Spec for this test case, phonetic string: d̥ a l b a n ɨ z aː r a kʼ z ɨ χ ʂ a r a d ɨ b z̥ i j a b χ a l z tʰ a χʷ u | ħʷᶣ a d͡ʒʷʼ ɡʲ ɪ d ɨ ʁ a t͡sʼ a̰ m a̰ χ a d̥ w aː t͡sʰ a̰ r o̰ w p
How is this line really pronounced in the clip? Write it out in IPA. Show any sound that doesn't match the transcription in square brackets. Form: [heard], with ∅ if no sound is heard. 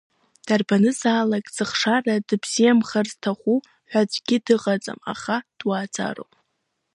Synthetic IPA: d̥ a [r] b a n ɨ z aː [l] a kʼ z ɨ χ ʂ a r a d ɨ b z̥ i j a [m] χ a [r] z tʰ a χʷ u | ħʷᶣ a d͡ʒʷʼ ɡʲ ɪ d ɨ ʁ a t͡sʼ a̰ m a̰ χ a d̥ w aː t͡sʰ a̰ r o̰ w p